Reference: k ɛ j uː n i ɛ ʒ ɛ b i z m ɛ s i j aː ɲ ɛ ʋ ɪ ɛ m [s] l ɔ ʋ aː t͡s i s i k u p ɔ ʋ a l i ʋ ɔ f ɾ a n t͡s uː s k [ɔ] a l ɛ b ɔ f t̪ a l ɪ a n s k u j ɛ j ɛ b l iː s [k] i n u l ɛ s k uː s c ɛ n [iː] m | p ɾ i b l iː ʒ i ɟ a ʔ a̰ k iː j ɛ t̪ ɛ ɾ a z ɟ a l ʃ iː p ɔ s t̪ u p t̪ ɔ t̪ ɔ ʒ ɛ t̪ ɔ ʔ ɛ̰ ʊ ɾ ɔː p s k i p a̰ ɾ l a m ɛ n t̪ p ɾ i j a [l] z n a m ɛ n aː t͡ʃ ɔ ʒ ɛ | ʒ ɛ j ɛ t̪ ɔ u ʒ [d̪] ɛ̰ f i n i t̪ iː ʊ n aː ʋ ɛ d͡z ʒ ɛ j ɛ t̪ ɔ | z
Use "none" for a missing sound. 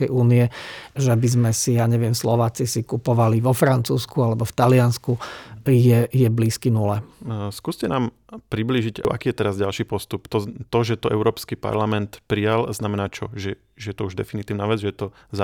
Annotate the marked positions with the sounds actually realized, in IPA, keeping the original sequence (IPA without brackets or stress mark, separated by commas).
s, u, k, aː, l, d̪